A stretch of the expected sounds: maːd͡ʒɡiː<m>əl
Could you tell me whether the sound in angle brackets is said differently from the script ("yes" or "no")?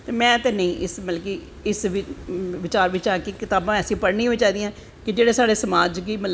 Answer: no